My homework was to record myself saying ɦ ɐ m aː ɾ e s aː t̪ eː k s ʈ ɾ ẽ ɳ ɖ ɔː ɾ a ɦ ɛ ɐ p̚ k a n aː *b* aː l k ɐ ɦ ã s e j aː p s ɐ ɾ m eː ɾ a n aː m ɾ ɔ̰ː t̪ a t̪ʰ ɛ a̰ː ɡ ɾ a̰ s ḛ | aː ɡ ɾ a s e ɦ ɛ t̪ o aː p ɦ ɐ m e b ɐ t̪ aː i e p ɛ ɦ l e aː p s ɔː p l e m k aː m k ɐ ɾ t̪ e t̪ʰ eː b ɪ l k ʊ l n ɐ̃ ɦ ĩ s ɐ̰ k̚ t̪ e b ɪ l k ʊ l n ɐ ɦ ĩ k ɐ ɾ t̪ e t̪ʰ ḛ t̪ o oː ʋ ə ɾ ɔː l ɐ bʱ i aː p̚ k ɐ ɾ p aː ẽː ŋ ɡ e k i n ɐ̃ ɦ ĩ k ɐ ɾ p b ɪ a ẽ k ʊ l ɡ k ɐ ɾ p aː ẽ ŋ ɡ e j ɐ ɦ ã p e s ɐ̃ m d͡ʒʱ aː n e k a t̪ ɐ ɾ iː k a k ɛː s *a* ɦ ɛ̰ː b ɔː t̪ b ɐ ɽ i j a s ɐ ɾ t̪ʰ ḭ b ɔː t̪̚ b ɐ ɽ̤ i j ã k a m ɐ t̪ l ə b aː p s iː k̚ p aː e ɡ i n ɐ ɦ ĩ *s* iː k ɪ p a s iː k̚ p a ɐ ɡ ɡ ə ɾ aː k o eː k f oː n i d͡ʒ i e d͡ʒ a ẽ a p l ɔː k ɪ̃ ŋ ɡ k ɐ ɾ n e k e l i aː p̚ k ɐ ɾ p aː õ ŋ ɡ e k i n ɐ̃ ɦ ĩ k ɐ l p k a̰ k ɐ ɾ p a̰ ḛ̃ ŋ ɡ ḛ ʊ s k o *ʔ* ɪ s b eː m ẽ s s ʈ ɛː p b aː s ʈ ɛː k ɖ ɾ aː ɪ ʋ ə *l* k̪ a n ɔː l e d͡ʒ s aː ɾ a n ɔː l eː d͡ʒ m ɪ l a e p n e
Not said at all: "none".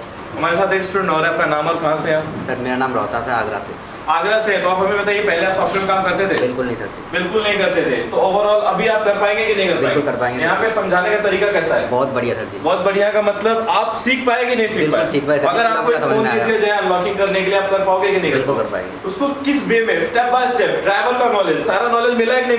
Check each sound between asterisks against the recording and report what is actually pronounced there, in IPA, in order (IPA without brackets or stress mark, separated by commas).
m, a, s, k, l